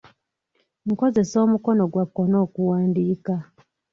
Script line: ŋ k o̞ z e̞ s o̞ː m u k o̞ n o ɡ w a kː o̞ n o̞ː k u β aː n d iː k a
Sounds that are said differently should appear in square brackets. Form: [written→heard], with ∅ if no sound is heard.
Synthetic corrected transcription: ŋ k o̞ z e̞ s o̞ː m u k o̞ n o ɡ w a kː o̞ n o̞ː k u [β→w] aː n d iː k a